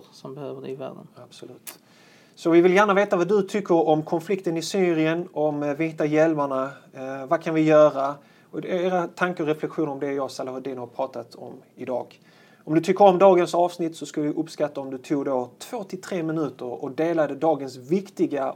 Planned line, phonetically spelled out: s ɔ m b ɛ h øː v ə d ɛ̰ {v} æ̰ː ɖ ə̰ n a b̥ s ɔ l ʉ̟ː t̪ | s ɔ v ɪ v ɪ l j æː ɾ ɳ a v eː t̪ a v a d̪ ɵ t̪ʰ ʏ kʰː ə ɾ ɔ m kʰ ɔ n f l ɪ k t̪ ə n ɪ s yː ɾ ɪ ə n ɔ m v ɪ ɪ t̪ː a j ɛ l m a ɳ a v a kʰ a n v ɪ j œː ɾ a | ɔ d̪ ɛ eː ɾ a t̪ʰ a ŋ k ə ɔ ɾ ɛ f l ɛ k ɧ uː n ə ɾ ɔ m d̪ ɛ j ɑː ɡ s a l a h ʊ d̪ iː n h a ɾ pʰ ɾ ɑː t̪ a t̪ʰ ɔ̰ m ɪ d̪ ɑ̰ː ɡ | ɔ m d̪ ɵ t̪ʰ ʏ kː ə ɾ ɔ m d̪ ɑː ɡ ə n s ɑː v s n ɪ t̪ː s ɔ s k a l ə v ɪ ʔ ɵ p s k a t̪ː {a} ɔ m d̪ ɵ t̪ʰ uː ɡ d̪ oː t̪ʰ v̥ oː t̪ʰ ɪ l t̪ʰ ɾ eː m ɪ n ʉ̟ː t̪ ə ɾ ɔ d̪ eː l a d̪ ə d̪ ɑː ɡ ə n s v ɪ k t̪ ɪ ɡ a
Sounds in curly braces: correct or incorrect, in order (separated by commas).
correct, correct